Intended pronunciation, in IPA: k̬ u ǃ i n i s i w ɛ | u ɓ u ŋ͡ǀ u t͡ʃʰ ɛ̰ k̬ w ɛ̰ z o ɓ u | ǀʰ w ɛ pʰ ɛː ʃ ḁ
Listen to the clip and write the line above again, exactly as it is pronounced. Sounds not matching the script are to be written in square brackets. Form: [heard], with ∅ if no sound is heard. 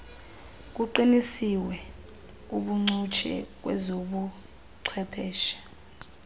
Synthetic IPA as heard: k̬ u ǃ i n i s i w ɛ | u ɓ u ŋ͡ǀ u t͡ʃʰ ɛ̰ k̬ w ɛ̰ z o ɓ u | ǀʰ w ɛ pʰ ɛː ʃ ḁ